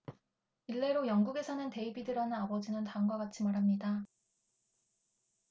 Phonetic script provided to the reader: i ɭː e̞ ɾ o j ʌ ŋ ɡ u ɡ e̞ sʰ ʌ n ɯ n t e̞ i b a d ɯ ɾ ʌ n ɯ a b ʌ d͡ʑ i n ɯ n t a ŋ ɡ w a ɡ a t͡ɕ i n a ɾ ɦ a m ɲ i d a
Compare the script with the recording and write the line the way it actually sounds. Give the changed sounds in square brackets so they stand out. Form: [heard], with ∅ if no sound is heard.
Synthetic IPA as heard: i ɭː e̞ ɾ o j ʌ ŋ ɡ u ɡ e̞ sʰ ʌ n ɯ n t e̞ i b [i] d ɯ ɾ ʌ n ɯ a b ʌ d͡ʑ i n ɯ n t a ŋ ɡ w a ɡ a [t͡ɕʰ] i [m] a ɾ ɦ a m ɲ i d a